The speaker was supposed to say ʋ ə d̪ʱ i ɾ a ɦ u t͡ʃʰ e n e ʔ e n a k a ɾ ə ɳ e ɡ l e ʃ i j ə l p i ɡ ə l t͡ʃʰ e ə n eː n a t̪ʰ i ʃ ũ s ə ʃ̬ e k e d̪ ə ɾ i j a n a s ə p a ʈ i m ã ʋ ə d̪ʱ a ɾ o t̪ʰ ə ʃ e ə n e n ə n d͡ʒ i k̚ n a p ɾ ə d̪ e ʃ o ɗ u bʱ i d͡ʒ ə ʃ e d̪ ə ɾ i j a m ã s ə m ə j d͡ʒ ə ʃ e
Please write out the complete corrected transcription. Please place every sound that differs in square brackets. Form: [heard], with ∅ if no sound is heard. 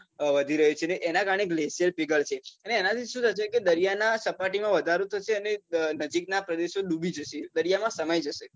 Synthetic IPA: ʋ ə d̪ʱ i ɾ [ə] ɦ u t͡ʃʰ e n e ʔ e n a k a ɾ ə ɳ e ɡ l e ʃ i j ə l p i ɡ ə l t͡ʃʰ e ə n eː n a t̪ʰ i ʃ ũ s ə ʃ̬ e k e d̪ ə ɾ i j a n a s ə p a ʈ i m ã ʋ ə d̪ʱ a ɾ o t̪ʰ ə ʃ e ə n e n ə [∅] d͡ʒ i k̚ n a p ɾ ə d̪ e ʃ o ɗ u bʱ i d͡ʒ ə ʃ e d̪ ə ɾ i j a m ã s ə m ə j d͡ʒ ə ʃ e